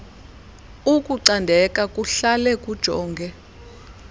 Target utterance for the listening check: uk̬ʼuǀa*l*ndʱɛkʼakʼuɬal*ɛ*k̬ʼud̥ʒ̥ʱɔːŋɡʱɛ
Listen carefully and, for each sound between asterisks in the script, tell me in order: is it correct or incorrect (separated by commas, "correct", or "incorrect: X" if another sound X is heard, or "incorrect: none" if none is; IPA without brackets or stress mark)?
incorrect: none, correct